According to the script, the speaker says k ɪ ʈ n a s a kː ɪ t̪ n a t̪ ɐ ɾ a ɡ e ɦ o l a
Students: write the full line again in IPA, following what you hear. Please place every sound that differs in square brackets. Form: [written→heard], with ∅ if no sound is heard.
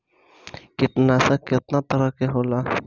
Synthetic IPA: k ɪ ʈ n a s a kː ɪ t̪ n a t̪ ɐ ɾ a [ɡ→k] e ɦ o l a